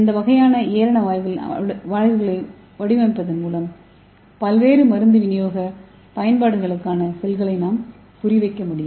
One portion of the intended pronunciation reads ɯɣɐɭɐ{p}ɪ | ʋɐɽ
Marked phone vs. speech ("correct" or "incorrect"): incorrect